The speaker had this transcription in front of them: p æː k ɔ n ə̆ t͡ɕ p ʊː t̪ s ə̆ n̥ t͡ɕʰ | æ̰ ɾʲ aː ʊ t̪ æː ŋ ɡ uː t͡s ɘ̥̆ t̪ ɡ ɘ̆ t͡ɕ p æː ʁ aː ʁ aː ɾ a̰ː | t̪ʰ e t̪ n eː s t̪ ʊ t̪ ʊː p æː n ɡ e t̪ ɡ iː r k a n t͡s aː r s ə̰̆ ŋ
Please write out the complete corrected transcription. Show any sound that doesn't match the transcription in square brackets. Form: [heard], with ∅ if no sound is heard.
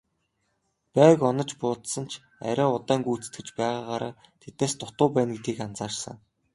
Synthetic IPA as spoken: p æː k ɔ n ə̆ t͡ɕ p ʊː t̪ s ə̆ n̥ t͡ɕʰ | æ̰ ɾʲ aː ʊ t̪ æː ŋ ɡ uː t͡s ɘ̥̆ t̪ ɡ ɘ̆ t͡ɕ p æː ʁ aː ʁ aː ɾ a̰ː | t̪ʰ e t̪ n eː s t̪ ʊ t̪ ʊː p æː n ɡ e t̪ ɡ iː [∅] k a n t͡s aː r s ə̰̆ ŋ